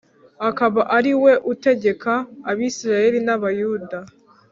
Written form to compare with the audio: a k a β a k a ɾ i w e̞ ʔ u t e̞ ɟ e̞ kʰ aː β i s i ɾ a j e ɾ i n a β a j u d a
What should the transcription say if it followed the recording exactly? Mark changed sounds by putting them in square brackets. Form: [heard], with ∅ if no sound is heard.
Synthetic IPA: a k a β a [ʔ] a ɾ i w e̞ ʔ u t e̞ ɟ e̞ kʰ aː β i s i ɾ a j e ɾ i n a β a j u d a